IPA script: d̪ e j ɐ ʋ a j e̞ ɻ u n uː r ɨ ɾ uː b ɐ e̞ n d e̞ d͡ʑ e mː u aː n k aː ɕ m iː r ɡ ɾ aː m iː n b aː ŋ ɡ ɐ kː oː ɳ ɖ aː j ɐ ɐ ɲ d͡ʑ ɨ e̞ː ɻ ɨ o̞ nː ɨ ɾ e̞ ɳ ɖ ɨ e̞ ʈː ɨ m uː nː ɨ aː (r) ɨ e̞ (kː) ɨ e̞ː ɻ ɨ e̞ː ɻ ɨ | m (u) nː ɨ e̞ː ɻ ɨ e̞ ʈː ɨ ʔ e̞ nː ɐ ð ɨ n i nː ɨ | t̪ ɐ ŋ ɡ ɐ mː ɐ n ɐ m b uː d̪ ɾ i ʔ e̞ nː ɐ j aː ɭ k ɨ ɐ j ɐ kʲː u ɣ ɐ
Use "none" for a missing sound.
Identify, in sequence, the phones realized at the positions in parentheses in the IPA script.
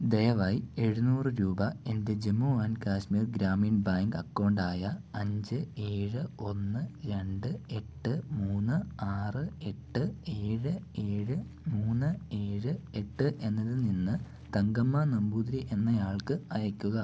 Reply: r, ʈː, uː

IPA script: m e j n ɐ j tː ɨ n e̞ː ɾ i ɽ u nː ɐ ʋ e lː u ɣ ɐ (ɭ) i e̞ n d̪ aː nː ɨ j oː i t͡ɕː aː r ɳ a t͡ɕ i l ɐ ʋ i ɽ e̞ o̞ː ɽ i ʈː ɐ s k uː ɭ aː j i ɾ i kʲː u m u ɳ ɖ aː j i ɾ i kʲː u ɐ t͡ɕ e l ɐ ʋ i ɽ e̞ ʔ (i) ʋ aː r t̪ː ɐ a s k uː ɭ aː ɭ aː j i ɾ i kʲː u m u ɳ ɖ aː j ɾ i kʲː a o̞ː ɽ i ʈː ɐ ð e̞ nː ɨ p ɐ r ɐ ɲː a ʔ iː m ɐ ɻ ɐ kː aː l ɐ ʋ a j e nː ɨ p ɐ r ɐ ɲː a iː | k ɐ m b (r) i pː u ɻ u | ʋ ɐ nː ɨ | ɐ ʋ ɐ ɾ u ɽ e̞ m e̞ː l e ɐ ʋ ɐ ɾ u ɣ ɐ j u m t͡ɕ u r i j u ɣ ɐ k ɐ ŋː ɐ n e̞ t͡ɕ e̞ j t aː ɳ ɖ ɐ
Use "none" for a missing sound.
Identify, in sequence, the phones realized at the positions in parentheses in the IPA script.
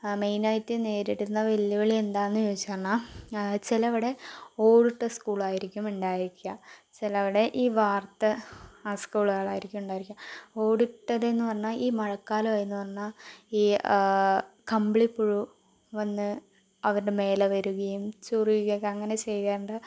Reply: ɭ, iː, ɭ

